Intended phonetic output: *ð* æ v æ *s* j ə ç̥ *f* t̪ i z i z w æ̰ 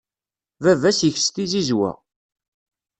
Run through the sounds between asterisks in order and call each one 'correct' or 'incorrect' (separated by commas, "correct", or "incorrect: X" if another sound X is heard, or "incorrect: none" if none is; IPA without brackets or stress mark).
incorrect: v, correct, incorrect: s